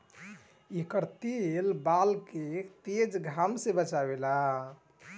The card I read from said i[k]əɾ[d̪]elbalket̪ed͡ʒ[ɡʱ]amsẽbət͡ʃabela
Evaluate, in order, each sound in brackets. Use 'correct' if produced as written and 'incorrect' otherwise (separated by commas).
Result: correct, incorrect, correct